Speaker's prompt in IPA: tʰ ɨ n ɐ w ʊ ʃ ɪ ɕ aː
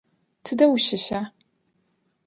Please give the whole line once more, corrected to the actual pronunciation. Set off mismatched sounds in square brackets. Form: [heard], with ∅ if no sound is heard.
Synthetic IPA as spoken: tʰ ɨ [d] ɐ w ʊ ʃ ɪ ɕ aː